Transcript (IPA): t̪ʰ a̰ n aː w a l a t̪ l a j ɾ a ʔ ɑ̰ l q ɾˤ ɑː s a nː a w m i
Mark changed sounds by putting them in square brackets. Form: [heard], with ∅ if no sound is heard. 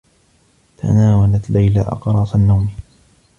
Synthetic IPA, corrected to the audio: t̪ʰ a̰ n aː w a l a t̪ l a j [l] a ʔ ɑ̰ [∅] q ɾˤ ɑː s a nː a w m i

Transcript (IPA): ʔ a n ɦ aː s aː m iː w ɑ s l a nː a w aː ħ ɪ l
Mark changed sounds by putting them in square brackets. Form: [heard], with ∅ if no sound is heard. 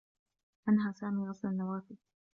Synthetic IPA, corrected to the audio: ʔ a n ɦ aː s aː m iː [ɣ] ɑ s l a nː a w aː [f] ɪ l

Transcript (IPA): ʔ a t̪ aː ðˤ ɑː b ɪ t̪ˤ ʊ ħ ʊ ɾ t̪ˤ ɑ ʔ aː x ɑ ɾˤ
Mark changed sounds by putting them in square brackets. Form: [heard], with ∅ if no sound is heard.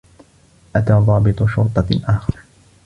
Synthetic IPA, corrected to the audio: ʔ a t̪ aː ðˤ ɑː b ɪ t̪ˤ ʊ [ʃ] ʊ ɾ t̪ˤ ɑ ʔ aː x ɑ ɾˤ

